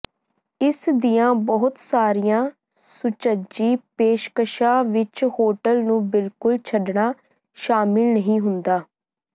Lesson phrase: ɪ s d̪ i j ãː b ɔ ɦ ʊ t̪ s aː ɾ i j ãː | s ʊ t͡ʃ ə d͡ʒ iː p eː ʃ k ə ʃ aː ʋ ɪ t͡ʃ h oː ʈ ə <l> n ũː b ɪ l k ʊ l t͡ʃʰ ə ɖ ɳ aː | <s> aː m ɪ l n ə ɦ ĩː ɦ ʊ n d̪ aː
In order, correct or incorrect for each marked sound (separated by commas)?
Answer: correct, incorrect